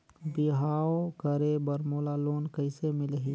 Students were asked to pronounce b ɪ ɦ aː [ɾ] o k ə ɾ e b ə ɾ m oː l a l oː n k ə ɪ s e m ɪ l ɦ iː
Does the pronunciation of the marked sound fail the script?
yes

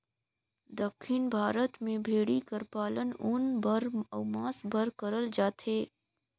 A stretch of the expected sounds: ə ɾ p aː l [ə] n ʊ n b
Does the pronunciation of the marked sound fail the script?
no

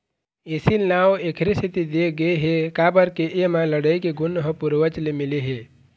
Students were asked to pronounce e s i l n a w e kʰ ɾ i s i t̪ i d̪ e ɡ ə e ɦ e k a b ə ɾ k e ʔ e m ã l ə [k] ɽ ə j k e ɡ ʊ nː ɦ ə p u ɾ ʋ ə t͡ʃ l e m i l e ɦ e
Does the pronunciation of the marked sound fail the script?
yes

